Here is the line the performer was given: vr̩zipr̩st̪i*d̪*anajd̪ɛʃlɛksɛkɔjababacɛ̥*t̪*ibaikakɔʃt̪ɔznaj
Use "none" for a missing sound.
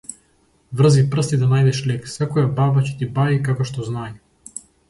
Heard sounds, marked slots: d̪, t̪

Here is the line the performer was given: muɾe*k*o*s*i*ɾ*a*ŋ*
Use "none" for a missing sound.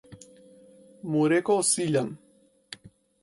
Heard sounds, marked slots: k, s, ʎ, ŋ

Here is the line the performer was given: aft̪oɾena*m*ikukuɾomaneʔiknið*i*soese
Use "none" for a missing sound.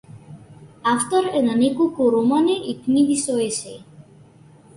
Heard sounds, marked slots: n, i

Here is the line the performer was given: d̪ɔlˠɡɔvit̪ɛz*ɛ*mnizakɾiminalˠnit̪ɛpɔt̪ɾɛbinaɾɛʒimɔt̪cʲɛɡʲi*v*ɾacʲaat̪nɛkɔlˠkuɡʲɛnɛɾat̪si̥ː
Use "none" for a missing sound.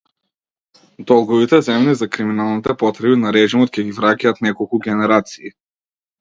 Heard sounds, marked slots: ɛ, v

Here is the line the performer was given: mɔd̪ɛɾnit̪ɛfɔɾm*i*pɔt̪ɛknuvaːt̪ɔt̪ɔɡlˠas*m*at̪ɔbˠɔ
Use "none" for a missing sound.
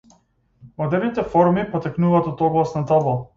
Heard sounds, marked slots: i, n

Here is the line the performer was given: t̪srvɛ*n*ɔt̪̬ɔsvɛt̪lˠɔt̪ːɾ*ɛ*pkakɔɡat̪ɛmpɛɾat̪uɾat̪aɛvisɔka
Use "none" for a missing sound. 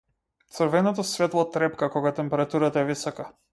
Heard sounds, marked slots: n, ɛ

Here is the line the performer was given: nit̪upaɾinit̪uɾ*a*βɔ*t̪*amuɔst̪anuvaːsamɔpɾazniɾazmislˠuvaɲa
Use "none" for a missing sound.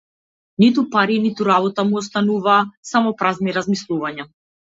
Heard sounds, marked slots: a, t̪

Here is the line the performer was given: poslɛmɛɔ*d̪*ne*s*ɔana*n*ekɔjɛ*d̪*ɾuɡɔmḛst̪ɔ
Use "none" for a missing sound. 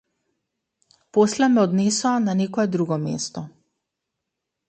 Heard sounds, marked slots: d̪, s, n, d̪

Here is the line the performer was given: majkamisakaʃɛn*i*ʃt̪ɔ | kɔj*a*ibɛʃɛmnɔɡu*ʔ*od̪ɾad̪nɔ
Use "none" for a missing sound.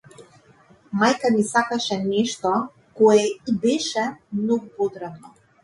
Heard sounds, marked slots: ɛ, ɛ, p

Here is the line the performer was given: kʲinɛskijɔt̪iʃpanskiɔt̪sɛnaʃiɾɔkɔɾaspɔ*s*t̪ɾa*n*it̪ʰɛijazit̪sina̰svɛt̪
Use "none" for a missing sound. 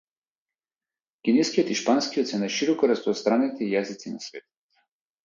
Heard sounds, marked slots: s, n

